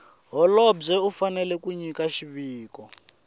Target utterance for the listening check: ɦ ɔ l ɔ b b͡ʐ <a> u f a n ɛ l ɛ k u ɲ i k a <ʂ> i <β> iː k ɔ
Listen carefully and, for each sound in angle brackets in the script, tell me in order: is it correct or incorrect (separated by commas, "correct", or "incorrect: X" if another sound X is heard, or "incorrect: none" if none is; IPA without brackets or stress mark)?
incorrect: ɛ, incorrect: ʃ, correct